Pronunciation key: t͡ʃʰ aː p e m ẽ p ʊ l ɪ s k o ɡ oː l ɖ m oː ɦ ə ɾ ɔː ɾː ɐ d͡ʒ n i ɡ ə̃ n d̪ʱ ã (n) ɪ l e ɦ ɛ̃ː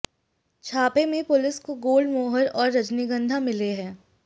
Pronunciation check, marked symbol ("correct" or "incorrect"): incorrect